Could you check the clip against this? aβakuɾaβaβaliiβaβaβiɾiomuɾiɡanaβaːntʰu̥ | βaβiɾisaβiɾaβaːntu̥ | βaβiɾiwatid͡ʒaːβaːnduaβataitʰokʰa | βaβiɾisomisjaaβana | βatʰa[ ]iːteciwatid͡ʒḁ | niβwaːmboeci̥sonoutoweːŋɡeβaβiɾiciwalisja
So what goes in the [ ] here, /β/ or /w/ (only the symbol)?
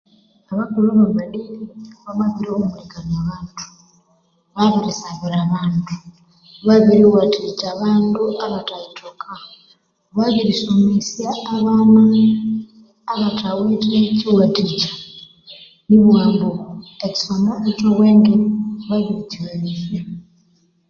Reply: w